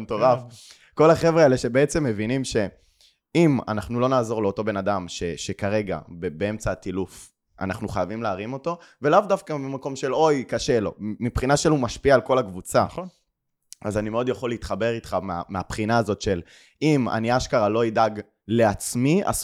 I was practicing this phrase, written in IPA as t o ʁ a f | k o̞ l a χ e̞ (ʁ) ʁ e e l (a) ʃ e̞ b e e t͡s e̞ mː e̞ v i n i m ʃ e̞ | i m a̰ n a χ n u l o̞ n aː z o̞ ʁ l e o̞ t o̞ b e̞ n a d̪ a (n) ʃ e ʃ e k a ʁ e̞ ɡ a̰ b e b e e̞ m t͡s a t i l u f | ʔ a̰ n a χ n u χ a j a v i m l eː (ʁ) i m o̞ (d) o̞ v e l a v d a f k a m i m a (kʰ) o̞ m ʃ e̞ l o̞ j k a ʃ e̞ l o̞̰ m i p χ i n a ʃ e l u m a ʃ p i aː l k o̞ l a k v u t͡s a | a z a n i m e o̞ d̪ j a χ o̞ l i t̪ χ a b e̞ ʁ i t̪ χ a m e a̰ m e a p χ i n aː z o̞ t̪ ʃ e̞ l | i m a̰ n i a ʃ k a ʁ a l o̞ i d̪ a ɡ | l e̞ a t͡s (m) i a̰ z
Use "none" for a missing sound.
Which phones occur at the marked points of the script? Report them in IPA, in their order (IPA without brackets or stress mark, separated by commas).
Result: v, e, m, ʁ, t, k, m